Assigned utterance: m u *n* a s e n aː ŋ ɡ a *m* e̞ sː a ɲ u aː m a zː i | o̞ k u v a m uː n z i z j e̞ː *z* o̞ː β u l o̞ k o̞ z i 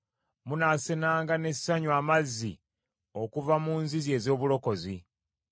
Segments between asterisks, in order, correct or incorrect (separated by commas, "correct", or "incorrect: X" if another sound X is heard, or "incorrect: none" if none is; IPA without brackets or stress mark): correct, incorrect: n, correct